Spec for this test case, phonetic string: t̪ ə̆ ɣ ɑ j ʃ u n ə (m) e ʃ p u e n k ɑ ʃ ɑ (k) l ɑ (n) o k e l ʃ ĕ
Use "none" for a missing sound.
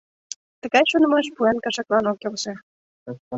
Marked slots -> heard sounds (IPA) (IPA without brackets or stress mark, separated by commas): m, k, n